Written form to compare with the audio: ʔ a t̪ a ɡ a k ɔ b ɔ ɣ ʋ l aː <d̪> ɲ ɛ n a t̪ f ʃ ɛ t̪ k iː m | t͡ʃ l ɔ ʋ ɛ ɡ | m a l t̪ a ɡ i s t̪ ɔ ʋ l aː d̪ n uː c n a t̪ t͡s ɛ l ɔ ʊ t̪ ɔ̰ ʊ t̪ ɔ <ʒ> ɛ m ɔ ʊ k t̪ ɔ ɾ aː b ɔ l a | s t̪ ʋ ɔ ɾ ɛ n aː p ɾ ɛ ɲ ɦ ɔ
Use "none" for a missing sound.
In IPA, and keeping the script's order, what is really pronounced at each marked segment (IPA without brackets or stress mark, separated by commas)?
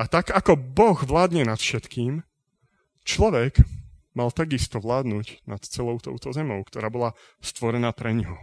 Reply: d̪, z